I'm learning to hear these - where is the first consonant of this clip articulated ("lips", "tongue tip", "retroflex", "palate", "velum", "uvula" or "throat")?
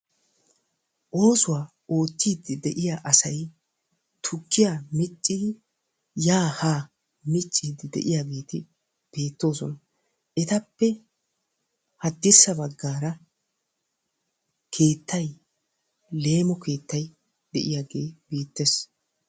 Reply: throat